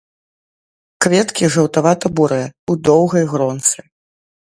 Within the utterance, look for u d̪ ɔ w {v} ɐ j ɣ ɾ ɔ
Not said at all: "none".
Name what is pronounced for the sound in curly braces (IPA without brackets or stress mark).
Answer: ɣ